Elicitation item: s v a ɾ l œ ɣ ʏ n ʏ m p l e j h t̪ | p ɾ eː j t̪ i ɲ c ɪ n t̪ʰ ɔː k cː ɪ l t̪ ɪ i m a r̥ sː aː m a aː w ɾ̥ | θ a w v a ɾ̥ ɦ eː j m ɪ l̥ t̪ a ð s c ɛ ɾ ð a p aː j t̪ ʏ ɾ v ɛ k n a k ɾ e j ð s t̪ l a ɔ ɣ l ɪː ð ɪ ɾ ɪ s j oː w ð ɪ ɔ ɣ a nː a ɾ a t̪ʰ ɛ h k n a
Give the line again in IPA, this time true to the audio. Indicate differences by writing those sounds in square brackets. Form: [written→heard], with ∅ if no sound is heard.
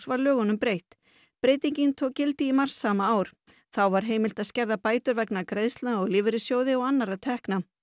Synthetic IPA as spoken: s v a ɾ l [œ→œː] ɣ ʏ n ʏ m p [l→ɾ] e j h t̪ | p ɾ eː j t̪ i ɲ c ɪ n t̪ʰ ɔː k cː ɪ l t̪ ɪ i m a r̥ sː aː m a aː w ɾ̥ | θ a w v a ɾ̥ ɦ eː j m ɪ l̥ t̪ a ð s c ɛ ɾ ð a p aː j t̪ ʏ ɾ v ɛ k n a k ɾ e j ð s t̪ l a ɔ ɣ l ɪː [ð→v] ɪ ɾ ɪ s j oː w ð ɪ ɔ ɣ a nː a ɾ a t̪ʰ ɛ h k n a